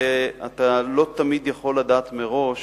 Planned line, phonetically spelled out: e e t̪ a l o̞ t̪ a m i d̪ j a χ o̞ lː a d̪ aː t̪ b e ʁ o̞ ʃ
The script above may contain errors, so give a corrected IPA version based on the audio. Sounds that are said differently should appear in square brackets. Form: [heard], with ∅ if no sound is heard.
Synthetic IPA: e [a] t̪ a l o̞ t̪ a m i d̪ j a χ o̞ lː a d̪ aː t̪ [m] e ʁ o̞ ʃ

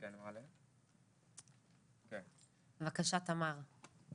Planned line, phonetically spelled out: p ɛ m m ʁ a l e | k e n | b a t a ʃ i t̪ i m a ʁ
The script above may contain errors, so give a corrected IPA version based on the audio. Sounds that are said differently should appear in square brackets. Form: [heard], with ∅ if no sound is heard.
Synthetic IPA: [k] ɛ [n] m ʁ a l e | k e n | [v] a [k] a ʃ [a] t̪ [a] m a ʁ

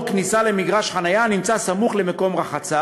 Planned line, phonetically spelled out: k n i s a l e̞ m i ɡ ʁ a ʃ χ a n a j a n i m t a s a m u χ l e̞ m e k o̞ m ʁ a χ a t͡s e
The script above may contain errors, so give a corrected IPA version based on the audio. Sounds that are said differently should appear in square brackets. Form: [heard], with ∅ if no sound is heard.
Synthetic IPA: k n i s a l e̞ m i ɡ ʁ a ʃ χ a n a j a n i m [t͡s] a s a m u χ l e̞ m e k o̞ m ʁ a χ a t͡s [a]

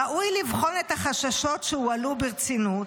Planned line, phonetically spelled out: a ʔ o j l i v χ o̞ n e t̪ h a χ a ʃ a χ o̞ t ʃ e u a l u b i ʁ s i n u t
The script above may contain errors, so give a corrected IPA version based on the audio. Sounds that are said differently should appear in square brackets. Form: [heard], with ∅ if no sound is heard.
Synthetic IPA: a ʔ [u] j l i v χ o̞ n e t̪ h a χ a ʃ a [ʃ] o̞ t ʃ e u a l u b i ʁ [t͡s] i n u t

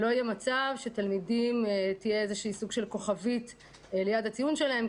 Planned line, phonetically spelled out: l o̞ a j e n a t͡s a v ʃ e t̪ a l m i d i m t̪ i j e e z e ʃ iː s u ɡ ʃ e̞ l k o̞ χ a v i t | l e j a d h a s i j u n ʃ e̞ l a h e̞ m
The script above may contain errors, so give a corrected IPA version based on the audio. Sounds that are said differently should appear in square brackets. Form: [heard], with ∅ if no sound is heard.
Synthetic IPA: l o̞ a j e [m] a t͡s a v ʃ e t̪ a l m i d i m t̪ i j e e z e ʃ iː s u ɡ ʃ e̞ l k o̞ χ a v i t | l e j a d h a [t͡s] i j u n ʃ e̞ l a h e̞ m

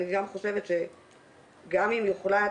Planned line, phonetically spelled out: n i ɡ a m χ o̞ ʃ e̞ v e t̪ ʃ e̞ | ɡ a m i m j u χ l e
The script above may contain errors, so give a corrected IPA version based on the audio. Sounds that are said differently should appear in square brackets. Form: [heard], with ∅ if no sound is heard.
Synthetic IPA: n i ɡ a m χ o̞ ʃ e̞ v e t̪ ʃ e̞ | ɡ a m i m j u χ l [a]

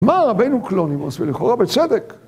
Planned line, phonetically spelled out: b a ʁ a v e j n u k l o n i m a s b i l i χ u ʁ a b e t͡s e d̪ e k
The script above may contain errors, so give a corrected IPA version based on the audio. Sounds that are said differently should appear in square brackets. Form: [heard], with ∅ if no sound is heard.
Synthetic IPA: [m] a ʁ a [b] e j n u k l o n i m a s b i l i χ [o] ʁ a b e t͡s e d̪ e k

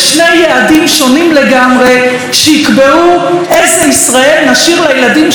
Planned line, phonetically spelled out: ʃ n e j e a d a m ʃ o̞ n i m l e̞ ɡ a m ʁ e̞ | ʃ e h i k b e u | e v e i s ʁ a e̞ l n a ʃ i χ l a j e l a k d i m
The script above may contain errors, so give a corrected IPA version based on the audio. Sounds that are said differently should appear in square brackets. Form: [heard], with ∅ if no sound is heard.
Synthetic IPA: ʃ n e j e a d [i] m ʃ o̞ n i m l e̞ ɡ a m ʁ e̞ | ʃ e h i k b e u | e [z] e i s ʁ a e̞ l n a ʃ i [ʁ] l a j e l a [∅] d i m

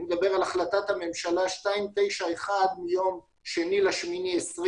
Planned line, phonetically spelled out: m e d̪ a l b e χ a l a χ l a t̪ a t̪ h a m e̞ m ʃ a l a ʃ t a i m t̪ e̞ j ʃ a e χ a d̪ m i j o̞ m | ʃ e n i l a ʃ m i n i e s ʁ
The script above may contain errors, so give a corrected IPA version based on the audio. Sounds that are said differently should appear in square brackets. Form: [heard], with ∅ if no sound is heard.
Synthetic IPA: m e d̪ a [∅] b e [ʁ] a l a χ l a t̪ a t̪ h a m e̞ m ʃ a l a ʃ t a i m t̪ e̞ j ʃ a e χ a d̪ m i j o̞ m | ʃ e n i l a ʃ m i n i e s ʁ

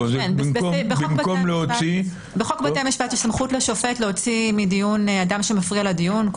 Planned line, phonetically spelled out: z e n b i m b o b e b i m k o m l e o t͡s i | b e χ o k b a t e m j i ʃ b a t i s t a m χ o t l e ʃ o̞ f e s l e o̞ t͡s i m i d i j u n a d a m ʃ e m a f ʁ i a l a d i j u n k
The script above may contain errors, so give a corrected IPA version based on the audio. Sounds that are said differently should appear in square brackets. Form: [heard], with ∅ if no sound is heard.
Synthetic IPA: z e n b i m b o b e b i m k o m l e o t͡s i | b e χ o k b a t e m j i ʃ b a t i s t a m χ [u] t l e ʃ o̞ f e [t] l e o̞ t͡s i m i d i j u n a d a m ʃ e m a f ʁ i a l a d i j u n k

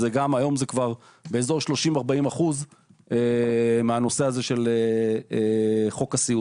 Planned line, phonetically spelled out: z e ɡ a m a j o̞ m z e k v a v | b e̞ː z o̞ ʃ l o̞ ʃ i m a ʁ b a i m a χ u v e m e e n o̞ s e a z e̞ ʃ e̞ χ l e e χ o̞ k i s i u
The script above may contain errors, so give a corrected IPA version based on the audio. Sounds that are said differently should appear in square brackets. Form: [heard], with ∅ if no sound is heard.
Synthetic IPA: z e ɡ a m a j o̞ m z e k v a [ʁ] | b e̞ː z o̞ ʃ l o̞ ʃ i m a ʁ b a i m a χ u [z] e m e [a] n o̞ s e a z e̞ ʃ e̞ [∅] l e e χ o̞ k [a] s i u

